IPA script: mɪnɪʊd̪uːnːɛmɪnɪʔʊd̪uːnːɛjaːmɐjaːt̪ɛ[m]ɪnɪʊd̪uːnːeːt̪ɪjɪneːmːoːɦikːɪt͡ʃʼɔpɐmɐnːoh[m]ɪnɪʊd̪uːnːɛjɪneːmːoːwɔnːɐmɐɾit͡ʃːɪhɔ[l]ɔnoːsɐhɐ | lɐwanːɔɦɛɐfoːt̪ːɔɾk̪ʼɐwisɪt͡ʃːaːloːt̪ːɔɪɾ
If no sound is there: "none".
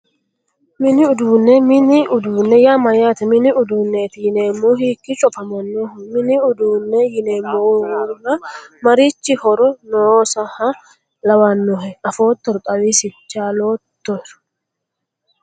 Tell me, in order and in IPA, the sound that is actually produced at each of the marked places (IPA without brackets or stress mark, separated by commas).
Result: m, m, ɾ